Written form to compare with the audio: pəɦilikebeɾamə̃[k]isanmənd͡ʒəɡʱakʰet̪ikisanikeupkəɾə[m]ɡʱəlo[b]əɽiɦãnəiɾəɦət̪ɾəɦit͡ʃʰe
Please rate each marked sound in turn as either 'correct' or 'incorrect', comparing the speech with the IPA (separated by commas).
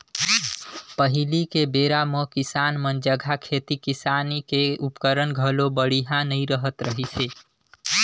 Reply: correct, incorrect, correct